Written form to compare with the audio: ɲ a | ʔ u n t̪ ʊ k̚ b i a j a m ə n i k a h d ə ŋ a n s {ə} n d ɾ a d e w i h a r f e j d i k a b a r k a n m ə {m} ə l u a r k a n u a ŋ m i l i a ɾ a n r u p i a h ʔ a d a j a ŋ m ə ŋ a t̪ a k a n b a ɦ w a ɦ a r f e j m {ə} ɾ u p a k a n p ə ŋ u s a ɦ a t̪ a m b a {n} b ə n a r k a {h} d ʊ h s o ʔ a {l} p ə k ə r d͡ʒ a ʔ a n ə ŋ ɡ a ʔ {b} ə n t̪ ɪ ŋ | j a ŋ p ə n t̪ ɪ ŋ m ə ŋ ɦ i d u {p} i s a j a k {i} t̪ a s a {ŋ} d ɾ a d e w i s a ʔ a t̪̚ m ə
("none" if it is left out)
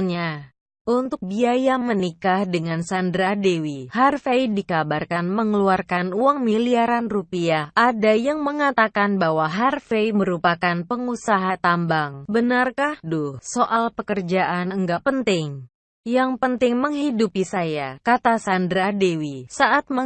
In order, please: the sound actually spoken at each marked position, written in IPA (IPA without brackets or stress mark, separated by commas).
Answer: a, ŋ, ə, ŋ, h, l, p, p, a, n